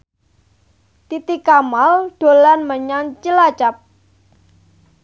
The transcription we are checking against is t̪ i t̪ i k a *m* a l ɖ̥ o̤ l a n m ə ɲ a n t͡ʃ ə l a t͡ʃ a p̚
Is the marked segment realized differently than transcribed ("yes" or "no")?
no